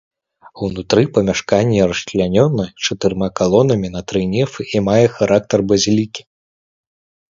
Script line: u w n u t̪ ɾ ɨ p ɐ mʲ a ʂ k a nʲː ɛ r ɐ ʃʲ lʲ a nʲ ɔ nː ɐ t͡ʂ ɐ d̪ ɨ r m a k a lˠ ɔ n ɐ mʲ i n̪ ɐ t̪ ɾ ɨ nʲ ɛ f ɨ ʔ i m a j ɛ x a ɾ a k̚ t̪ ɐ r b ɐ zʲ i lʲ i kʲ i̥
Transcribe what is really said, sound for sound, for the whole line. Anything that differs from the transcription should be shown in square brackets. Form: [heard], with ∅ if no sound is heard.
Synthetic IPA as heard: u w n u t̪ ɾ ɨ p ɐ mʲ a ʂ k a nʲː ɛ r ɐ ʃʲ lʲ a nʲ ɔ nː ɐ t͡ʂ ɐ [t̪] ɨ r m a k a lˠ ɔ n ɐ mʲ i n̪ ɐ t̪ ɾ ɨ nʲ ɛ f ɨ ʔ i m a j ɛ x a ɾ a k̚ t̪ ɐ r b ɐ zʲ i lʲ i kʲ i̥